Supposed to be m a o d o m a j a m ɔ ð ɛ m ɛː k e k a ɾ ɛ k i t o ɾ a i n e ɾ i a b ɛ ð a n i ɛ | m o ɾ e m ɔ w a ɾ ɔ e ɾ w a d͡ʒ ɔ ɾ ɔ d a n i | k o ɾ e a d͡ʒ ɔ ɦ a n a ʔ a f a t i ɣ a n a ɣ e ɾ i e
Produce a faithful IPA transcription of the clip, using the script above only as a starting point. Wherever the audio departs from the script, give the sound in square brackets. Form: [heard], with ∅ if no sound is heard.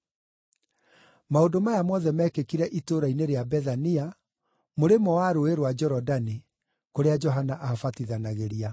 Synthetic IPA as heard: m a o d o m a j a m ɔ ð ɛ m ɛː k e k [i] ɾ ɛ [ʔ] i t o ɾ a i n e ɾ [e] a b ɛ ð a n i [a] | m o ɾ e m ɔ w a ɾ [o] e ɾ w a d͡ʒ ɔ ɾ ɔ d a n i | k o ɾ e a d͡ʒ ɔ ɦ a n a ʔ a f a t i [ð] a n a ɣ e ɾ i [a]